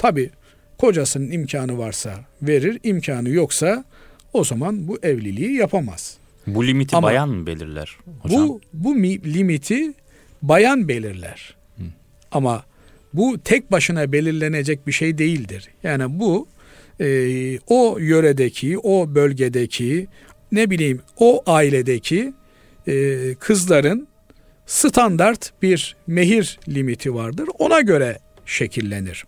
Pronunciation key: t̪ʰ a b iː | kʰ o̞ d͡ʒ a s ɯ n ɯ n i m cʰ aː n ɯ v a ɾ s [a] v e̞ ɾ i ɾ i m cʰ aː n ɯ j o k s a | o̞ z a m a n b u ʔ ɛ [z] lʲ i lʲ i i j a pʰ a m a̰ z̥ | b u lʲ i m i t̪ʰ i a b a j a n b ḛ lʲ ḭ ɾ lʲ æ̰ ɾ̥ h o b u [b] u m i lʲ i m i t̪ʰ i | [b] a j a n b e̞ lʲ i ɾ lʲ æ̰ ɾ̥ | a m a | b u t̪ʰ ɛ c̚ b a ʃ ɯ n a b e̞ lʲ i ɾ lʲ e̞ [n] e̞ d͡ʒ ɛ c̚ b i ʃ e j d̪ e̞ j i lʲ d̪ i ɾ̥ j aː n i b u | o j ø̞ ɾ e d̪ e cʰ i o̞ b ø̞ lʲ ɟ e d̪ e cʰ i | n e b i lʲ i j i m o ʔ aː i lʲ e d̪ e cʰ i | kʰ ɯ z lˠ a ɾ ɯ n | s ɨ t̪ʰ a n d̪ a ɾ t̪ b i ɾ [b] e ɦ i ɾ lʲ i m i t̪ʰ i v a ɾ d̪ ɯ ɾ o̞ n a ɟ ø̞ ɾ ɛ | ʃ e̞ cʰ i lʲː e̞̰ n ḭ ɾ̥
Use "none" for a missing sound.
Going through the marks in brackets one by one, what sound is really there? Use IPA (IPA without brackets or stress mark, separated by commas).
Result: a, v, b, b, n, m